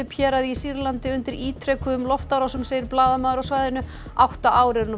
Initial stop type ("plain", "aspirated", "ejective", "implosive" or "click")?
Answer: aspirated